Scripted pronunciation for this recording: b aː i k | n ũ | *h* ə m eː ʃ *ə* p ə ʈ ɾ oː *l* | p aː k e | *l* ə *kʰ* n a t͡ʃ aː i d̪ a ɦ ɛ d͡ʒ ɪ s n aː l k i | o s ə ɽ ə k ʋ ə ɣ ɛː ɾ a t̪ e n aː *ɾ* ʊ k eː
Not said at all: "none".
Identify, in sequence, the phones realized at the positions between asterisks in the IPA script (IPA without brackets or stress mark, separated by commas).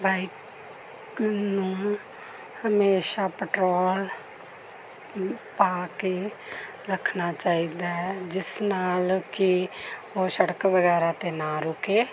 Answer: h, a, l, ɾ, kʰ, ɾ